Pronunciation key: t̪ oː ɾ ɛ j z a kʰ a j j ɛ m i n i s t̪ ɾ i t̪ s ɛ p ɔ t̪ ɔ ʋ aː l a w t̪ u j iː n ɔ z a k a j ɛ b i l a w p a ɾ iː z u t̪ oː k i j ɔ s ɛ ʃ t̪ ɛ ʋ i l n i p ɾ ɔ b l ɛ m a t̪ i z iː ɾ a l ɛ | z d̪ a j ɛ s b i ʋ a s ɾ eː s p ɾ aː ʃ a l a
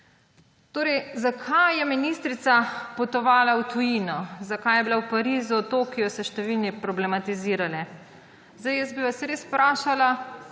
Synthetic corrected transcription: t̪ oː ɾ ɛ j z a kʰ a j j ɛ m i n i s t̪ ɾ i t̪ s a p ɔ t̪ ɔ ʋ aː l a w t̪ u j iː n ɔ z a k a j ɛ b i l a w p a ɾ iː z u t̪ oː k i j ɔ s ɛ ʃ t̪ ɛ ʋ i l n i p ɾ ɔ b l ɛ m a t̪ i z iː ɾ a l ɛ | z d̪ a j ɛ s b i ʋ a s ɾ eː s p ɾ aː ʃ a l a

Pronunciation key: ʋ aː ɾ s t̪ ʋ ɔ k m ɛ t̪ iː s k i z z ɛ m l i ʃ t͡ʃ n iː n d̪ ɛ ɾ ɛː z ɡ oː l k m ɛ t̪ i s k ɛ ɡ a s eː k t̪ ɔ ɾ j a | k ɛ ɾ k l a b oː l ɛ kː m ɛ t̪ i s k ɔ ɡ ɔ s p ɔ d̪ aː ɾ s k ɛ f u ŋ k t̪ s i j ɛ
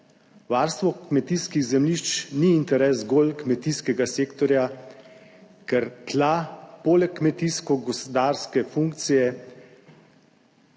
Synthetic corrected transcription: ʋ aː ɾ s t̪ ʋ ɔ k m ɛ t̪ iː s k i ɣ z ɛ m l i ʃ t͡ʃ n iː n t̪ ɛ ɾ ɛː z ɡ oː l k m ɛ t̪ i s k ɛ ɡ a s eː k t̪ ɔ ɾ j a | k ɛ ɾ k l a p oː l ɛ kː m ɛ t̪ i s k ɔ ɡ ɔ s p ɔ d̪ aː ɾ s k ɛ f u ŋ k t̪ s i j ɛ

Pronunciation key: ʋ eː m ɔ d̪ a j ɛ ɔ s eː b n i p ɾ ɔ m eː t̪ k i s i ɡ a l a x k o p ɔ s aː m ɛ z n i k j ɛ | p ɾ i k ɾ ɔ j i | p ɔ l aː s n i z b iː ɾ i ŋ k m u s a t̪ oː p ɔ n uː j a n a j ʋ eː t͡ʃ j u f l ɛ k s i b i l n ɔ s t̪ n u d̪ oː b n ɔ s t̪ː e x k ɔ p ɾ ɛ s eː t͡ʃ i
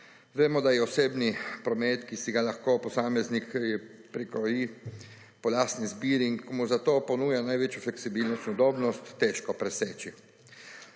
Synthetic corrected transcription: ʋ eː m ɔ d̪ a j ɛ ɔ s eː b n i p ɾ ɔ m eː t̪ k i s i ɡ a l a x k o p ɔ s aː m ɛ z n i k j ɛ | p ɾ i k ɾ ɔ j i | p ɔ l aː s n i z b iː ɾ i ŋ k m u z a t̪ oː p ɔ n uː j a n a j ʋ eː t͡ʃ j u f l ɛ k s i b i l n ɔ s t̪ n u d̪ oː b n ɔ s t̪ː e ʃ k ɔ p ɾ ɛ s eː t͡ʃ i

